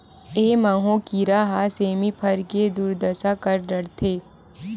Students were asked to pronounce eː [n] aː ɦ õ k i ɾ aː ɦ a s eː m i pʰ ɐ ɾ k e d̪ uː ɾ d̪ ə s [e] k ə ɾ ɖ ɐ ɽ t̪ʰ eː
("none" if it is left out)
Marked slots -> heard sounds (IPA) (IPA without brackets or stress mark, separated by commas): m, a